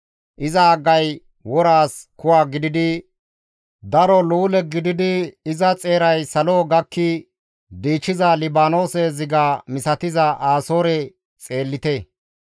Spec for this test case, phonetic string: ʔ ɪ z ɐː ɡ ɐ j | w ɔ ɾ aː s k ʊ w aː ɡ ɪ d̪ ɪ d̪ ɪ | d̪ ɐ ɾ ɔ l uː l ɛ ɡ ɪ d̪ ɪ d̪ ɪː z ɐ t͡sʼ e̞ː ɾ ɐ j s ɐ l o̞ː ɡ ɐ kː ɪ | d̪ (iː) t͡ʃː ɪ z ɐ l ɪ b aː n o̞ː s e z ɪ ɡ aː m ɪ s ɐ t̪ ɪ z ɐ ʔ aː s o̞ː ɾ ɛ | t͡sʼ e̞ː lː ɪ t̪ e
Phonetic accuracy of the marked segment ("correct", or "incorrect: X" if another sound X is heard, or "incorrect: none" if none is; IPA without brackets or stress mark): correct